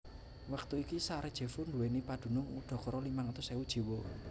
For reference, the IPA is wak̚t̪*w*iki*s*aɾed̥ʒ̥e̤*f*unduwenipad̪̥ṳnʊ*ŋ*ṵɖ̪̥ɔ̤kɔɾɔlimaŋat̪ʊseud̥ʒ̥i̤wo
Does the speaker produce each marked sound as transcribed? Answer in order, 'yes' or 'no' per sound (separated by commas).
no, yes, yes, yes